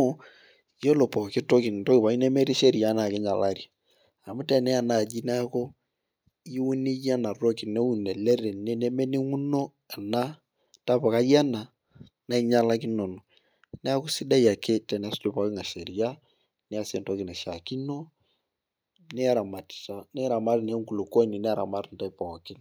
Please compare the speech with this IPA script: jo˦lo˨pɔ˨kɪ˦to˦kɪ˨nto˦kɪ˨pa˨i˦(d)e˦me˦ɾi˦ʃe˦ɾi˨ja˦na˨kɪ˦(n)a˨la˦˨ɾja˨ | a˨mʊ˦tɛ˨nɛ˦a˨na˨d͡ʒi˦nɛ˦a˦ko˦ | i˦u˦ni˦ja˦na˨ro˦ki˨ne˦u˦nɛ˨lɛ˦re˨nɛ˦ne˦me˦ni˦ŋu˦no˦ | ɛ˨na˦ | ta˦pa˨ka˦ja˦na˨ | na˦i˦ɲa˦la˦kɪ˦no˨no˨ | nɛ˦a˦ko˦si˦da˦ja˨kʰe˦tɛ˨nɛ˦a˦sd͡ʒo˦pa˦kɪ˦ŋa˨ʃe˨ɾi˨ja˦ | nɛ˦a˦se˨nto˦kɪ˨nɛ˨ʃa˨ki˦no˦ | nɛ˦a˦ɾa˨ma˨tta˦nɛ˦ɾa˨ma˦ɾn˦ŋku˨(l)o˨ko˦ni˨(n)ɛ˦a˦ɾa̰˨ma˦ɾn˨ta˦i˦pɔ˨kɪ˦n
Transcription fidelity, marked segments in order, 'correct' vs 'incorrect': incorrect, incorrect, correct, correct

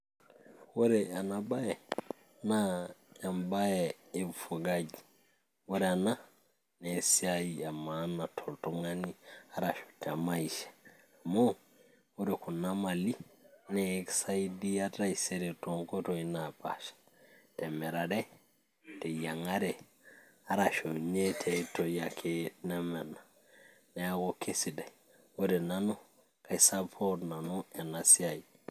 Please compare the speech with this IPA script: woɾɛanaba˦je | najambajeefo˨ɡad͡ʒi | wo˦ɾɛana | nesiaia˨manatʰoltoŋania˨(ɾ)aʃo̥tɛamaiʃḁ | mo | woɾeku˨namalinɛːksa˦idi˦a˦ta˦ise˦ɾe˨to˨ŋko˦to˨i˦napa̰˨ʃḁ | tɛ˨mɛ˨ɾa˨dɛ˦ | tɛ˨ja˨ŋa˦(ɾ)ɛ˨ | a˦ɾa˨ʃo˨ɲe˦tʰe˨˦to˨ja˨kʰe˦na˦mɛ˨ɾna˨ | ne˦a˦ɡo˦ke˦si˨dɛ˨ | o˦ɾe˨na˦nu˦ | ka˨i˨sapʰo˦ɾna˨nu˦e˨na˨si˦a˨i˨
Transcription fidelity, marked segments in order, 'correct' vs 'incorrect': correct, correct

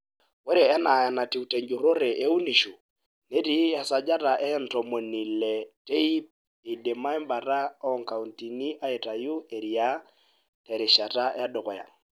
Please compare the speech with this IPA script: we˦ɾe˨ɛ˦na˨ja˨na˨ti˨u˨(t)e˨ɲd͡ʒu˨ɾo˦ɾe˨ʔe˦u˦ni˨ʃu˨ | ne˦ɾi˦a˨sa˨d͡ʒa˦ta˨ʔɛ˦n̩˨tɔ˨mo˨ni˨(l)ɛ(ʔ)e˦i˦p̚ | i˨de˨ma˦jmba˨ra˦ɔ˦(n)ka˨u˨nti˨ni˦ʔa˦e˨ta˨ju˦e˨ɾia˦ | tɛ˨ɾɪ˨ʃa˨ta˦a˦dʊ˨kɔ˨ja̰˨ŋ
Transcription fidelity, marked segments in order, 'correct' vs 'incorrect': correct, correct, incorrect, incorrect

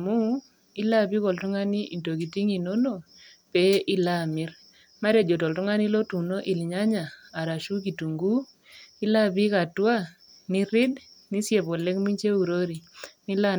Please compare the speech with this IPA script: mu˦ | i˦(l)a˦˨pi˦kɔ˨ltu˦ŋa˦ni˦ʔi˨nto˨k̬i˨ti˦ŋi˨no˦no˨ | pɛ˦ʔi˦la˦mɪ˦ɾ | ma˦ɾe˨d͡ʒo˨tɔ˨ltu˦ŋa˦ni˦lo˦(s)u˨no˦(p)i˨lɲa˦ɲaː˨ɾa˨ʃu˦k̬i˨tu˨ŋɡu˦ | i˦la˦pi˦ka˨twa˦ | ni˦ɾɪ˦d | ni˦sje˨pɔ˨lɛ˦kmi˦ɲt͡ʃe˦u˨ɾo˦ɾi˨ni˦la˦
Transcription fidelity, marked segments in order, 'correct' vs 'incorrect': correct, incorrect, incorrect

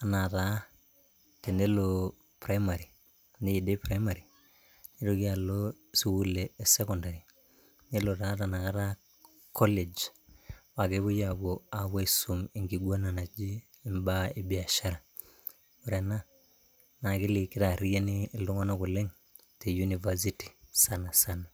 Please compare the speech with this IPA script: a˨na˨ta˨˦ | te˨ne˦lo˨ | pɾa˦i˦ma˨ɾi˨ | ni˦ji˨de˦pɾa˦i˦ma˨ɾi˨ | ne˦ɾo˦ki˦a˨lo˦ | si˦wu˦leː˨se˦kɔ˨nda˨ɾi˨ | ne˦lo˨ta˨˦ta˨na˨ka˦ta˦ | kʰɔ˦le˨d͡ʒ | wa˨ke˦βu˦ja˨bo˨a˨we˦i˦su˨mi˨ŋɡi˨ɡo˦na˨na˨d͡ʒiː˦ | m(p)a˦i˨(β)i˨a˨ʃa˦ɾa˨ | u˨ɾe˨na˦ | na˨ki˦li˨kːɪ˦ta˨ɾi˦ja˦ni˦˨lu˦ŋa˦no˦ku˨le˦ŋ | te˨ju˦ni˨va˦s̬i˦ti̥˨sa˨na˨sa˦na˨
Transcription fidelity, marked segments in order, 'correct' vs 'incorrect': incorrect, incorrect

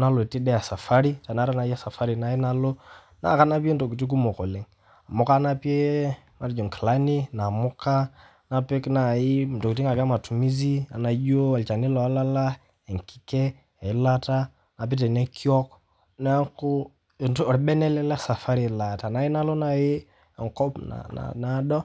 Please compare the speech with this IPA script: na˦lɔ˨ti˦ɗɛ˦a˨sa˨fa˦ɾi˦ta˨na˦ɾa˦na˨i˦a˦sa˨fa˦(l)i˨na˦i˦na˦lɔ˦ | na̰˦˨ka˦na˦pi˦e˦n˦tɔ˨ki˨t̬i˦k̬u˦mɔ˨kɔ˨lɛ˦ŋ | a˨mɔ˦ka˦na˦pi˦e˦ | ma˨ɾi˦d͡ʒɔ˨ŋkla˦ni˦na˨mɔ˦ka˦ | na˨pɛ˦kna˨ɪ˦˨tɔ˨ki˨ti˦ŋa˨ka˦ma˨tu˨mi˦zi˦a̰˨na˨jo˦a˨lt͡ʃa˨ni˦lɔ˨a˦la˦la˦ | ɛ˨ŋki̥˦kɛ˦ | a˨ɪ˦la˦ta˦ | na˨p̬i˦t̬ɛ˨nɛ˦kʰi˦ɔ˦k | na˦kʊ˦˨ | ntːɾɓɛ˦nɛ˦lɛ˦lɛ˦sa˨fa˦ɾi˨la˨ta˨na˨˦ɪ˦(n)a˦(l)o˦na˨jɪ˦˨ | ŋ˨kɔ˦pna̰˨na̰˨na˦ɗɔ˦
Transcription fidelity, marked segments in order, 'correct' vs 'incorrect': incorrect, correct, correct

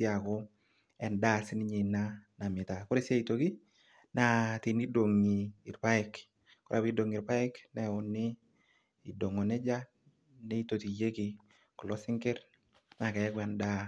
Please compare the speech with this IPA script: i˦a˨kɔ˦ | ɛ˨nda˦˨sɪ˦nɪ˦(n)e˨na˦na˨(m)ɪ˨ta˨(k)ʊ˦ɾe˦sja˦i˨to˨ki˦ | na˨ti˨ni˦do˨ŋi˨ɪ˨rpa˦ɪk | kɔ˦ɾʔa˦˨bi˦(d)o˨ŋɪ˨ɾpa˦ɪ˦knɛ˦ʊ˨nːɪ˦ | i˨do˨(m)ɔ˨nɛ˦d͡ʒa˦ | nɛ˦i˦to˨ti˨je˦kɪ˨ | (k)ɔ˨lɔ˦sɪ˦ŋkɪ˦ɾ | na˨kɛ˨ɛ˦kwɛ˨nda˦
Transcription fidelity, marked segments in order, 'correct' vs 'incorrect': incorrect, correct, correct, correct, incorrect, correct

